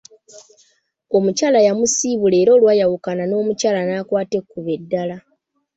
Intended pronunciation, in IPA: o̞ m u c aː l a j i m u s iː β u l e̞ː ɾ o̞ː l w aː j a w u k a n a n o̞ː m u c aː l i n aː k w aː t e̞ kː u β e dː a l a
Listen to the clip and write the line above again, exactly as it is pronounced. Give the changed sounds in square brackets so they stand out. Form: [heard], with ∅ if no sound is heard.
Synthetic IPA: o̞ m u c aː l a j [a] m u s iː β u l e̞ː ɾ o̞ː l w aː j a w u k a n a n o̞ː m u c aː l [a] n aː k w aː t e̞ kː u β e dː a l a

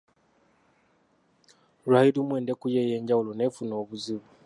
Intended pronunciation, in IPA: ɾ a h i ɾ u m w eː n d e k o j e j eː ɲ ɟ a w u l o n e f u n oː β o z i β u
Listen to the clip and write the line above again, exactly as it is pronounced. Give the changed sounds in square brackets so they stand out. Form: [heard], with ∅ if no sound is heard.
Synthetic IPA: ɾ a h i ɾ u m w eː n d e k [u] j e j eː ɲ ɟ a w u l o n e f u n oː β [u] z i β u

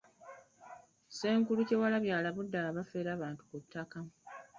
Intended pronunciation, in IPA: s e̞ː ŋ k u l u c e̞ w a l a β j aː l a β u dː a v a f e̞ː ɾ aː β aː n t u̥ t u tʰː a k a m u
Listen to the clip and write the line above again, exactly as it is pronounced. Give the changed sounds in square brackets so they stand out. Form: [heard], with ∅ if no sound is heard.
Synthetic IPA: s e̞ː ŋ k u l u c e̞ w a l a β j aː l a β u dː a [β] a f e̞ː ɾ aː β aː n t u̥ [k] u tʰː a k a m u

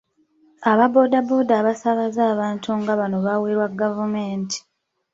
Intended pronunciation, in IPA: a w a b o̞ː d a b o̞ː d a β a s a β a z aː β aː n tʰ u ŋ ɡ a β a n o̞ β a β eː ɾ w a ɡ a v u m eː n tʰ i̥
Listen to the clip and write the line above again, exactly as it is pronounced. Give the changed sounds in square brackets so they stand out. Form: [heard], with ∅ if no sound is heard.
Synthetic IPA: a [β] a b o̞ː d a b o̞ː d a β a s a β a z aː β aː n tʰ u ŋ ɡ a β a n o̞ β a [w] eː ɾ w a ɡ a v u m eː n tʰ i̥

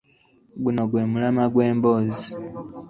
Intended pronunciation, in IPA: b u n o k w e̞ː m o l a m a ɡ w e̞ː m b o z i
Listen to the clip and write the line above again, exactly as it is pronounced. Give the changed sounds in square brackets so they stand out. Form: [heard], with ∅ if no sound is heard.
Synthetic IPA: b u n o [ɡ] w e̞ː m [u] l a m a ɡ w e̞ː m b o z i

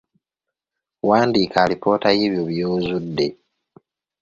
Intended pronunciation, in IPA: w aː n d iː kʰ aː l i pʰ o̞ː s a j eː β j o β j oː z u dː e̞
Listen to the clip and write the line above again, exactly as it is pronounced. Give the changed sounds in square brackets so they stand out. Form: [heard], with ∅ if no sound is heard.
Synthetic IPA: w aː n d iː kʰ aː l i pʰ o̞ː [t] a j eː β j o β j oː z u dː e̞

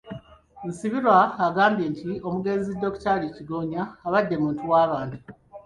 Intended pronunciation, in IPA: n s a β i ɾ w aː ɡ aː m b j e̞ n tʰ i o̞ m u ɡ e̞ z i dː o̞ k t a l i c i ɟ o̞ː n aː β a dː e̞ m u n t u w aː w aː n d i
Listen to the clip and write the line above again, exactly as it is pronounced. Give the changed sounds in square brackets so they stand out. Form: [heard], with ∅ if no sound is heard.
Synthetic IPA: n s [i] β i ɾ w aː ɡ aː m b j e̞ n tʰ i o̞ m u ɡ e̞ z i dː o̞ k t a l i c i [ɡ] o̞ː [ɲ] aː β a dː e̞ m [uː] n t u w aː [β] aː n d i

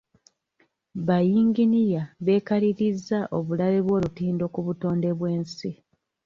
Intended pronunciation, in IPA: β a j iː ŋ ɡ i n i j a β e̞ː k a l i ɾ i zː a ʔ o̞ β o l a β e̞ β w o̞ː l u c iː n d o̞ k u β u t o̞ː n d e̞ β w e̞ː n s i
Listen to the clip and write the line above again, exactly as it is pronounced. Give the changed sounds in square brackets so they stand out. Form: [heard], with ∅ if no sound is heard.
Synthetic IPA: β a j iː ŋ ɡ i n i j a β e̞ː k a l i ɾ i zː a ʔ o̞ β [u] l a β e̞ β w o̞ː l u [t] iː n d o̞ k u β u t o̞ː n d e̞ β w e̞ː n s i

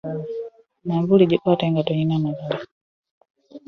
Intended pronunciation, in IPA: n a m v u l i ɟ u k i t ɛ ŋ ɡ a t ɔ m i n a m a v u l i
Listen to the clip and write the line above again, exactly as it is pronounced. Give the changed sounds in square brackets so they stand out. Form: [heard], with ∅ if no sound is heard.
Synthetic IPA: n a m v u l i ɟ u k [a] t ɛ ŋ ɡ a t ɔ [ɲ] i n a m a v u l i

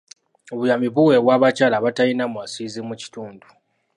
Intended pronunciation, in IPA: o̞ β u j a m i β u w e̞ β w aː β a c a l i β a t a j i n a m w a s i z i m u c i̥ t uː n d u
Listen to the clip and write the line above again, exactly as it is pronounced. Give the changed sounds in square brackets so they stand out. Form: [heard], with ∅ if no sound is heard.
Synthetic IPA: o̞ β u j a m i β u w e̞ β w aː β a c a l [a] β a t a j i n a m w a s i z i m u c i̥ t uː n d u

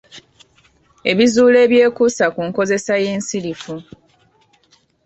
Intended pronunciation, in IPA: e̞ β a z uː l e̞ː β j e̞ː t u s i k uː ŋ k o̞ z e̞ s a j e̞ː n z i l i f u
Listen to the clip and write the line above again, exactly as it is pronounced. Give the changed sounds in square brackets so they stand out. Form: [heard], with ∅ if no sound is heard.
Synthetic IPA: e̞ β [i] z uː l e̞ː β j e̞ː [k] u s [a] k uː ŋ k o̞ z e̞ s a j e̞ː n [s] i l i f u

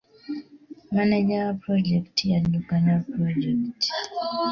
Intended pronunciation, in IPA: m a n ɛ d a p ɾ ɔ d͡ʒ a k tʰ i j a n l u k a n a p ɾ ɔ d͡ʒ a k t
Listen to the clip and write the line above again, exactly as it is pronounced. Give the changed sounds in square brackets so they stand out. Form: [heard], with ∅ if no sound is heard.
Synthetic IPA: m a n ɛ [d͡ʒ] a p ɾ ɔ d͡ʒ [ɛ] k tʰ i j a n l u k a n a p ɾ ɔ d͡ʒ [ɛ] k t

